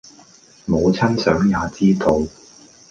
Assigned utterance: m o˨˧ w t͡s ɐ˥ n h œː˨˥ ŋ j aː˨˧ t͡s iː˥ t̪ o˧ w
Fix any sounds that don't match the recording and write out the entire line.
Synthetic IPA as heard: m o˨˧ w t͡sʰ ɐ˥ n s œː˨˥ ŋ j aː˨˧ t͡s iː˥ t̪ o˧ w